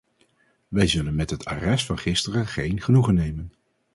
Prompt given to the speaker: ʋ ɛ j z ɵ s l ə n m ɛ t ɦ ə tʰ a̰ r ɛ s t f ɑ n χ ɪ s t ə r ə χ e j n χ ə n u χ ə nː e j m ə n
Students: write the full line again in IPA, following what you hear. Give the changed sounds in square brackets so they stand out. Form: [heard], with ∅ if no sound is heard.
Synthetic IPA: ʋ ɛ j z ɵ [∅] l ə n m ɛ t ɦ ə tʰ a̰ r ɛ s t f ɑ n χ ɪ s t ə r ə χ e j n χ ə n u χ ə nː e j m ə n